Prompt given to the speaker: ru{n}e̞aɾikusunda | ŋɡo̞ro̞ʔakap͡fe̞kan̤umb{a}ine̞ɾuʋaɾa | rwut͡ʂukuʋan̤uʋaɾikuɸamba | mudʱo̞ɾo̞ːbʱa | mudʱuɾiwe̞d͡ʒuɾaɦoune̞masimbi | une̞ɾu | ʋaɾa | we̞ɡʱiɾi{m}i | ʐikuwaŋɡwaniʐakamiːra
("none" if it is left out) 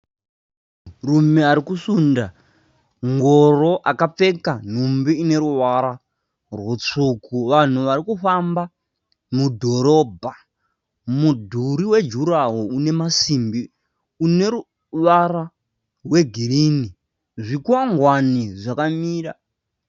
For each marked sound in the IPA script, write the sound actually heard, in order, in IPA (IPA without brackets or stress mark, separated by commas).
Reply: m, i, n